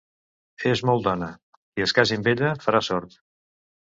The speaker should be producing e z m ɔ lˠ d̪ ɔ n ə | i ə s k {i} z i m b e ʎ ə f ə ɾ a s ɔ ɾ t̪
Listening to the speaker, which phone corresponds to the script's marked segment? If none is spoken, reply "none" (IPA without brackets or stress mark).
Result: a